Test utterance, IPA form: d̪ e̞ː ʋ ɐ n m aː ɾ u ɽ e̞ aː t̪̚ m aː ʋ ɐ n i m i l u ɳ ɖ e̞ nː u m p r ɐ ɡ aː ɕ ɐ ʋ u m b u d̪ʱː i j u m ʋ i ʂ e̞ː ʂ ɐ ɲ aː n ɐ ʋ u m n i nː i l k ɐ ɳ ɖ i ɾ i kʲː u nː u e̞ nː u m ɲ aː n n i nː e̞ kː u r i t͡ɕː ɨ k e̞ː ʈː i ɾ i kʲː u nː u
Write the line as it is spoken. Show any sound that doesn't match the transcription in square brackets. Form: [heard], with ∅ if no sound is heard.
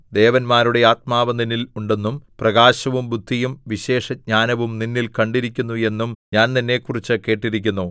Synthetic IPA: d̪ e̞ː ʋ ɐ n m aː ɾ u ɽ e̞ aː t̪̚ m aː ʋ ɐ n i [n] i l u ɳ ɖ e̞ nː u m p r ɐ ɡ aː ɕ ɐ ʋ u m b u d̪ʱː i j u m ʋ i [ɕ] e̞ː ʂ ɐ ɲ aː n ɐ ʋ u m n i nː i l k ɐ ɳ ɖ i ɾ i kʲː u nː u e̞ nː u m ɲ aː n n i nː e̞ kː u r i t͡ɕː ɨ k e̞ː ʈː i ɾ i kʲː u nː u